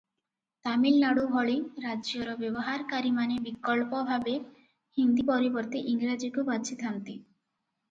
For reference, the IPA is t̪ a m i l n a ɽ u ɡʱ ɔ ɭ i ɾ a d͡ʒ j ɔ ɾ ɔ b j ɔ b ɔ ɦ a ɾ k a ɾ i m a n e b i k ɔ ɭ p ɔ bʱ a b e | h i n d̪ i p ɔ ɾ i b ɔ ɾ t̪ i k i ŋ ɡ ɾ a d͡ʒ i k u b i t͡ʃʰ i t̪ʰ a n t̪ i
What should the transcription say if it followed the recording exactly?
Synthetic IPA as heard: t̪ a m i l n a ɽ u bʱ ɔ ɭ i ɾ a d͡ʒ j ɔ ɾ ɔ b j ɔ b ɔ ɦ a ɾ k a ɾ i m a n e b i k ɔ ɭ p ɔ bʱ a b e | h i n d̪ i p ɔ ɾ i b ɔ ɾ t̪ i ʔ i ŋ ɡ ɾ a d͡ʒ i k u b a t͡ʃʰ i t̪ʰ a n t̪ i

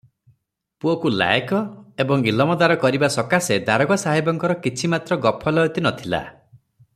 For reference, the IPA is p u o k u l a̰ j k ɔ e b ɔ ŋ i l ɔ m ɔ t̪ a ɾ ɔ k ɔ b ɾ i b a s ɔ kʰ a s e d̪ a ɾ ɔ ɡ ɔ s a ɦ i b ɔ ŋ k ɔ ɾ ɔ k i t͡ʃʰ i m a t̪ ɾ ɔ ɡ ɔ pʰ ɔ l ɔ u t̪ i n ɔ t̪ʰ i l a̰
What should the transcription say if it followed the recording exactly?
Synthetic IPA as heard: p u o k u l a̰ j k ɔ e b ɔ ŋ i l ɔ m ɔ d̪ a ɾ ɔ k ɔ ɾ i b a s ɔ k a s e d̪ a ɾ ɔ ɡ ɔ s a ɦ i b ɔ ŋ k ɔ ɾ ɔ k i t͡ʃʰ i m a t̪ ɾ ɔ ɡ ɔ pʰ ɔ l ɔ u t̪ i n ɔ t̪ʰ i l a̰

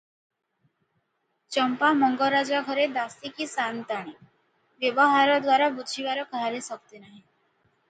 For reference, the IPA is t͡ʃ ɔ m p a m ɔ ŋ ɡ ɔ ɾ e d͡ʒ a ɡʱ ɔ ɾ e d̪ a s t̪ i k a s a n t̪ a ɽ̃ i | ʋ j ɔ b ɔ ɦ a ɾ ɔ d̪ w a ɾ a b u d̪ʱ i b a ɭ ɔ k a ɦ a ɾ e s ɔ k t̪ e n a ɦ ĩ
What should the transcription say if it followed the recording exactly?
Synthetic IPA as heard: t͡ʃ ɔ m p a m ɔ ŋ ɡ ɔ ɾ a d͡ʒ a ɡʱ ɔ ɾ e d̪ a s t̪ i k i s a n t̪ a ɽ̃ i | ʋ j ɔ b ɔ ɦ a ɾ ɔ d̪ w a ɾ a b u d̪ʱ i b a ɾ ɔ k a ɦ a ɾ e s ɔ k t̪ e n a ɦ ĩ

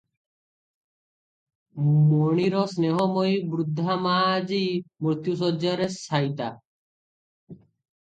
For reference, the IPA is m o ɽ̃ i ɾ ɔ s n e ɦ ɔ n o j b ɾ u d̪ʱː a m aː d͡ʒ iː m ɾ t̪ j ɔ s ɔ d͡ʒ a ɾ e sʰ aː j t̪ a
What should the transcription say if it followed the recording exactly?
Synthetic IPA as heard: m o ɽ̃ i ɾ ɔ s n e ɦ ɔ m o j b ɾ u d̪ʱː a m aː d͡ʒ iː m ɾ t̪ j u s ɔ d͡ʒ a ɾ e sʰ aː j t̪ a

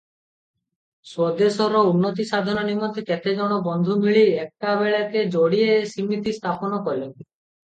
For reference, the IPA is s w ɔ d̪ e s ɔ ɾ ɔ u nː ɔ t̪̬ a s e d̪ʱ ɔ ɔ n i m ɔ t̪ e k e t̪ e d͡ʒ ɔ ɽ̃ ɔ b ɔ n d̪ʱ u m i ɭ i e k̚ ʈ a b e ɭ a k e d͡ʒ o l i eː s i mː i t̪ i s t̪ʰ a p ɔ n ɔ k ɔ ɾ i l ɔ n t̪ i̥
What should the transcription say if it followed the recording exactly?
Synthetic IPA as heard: s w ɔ d̪ e s ɔ ɾ ɔ u nː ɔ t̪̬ i s a d̪ʱ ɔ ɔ n i m ɔ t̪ e k e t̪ e d͡ʒ ɔ ɽ̃ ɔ b ɔ n d̪ʱ u m i ɭ i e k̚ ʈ a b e ɭ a k e d͡ʒ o ɽ i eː s i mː i t̪ i s t̪ʰ a p ɔ n ɔ k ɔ ɾ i l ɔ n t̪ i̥

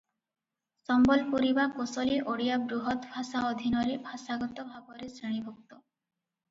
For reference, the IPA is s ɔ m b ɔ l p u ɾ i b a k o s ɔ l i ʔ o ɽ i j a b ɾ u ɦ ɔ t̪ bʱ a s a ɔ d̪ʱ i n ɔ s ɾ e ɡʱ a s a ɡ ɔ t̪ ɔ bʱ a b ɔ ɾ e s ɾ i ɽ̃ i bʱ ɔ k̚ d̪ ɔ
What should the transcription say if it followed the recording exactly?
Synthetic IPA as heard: s ɔ m b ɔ l p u ɾ i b a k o s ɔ l i ʔ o ɽ i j a b ɾ u ɦ ɔ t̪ bʱ a s a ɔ d̪ʱ i n ɔ ɾ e bʱ a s a ɡ ɔ t̪ ɔ bʱ a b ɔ ɾ e s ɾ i ɽ̃ i bʱ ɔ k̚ t̪ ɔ

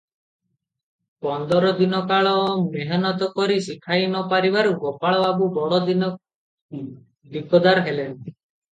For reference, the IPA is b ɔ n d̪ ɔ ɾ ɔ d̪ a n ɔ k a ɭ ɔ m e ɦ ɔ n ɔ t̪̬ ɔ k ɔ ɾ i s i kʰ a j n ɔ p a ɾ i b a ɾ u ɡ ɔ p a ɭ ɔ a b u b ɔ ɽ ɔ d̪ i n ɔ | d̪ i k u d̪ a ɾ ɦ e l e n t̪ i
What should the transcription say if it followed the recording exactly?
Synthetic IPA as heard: p ɔ n d̪ ɔ ɾ ɔ d̪ i n ɔ k a ɭ ɔ m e ɦ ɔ n ɔ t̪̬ ɔ k ɔ ɾ i s i kʰ a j n ɔ p a ɾ i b a ɾ u ɡ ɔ p a ɭ ɔ a b u b ɔ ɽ ɔ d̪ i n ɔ | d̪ i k ɔ d̪ a ɾ ɦ e l e n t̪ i

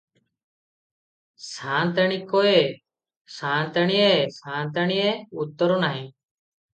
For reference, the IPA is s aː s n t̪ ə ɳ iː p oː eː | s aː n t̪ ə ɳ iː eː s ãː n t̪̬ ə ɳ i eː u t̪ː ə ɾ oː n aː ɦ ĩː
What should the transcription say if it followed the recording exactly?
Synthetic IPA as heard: s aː n t̪ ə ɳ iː k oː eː | s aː n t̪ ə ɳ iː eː s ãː n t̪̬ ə ɳ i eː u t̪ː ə ɾ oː n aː ɦ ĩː

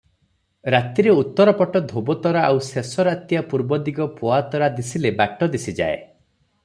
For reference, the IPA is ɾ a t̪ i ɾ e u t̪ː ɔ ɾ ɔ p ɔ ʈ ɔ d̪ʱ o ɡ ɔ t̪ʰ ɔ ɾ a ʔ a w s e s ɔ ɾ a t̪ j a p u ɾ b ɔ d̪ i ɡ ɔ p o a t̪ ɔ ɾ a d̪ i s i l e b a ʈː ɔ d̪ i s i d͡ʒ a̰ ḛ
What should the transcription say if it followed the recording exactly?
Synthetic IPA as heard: ɾ a t̪ i ɾ e u t̪ː ɔ ɾ ɔ p ɔ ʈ ɔ d̪ʱ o b ɔ t̪ ɔ ɾ a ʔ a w s e s ɔ ɾ a t̪ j a p u ɾ b ɔ d̪ i ɡ ɔ p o a t̪ ɔ ɾ a d̪ i s i l e b a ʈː ɔ d̪ i s i d͡ʒ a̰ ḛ

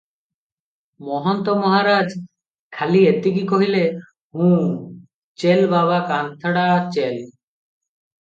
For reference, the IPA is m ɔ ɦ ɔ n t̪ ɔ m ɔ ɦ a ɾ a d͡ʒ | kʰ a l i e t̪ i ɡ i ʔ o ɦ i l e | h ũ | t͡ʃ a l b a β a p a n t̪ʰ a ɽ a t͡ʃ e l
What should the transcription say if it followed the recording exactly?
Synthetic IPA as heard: m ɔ ɦ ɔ n t̪ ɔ m ɔ ɦ a ɾ a d͡ʒ | kʰ a l i e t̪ i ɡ i k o ɦ i l e | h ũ | t͡ʃ e l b a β a k a n t̪ʰ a ɽ a t͡ʃ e l

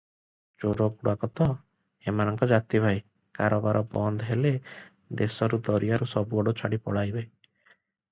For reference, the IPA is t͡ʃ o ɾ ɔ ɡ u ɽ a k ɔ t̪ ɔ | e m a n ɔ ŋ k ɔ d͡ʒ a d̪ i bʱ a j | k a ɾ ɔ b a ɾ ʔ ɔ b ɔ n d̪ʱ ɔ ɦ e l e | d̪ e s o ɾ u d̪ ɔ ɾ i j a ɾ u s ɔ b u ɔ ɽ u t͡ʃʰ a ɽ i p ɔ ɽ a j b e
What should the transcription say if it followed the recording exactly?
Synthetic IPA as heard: t͡ʃ o ɾ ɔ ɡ u ɽ a k ɔ t̪ ɔ | e m a n ɔ ŋ k ɔ d͡ʒ a t̪ i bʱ a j | k a ɾ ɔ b a ɾ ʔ ɔ b ɔ n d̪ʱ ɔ ɦ e l e | d̪ e s ɔ ɾ u d̪ ɔ ɾ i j a ɾ u s ɔ b u ɔ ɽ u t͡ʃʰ a ɽ i p ɔ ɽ a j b e

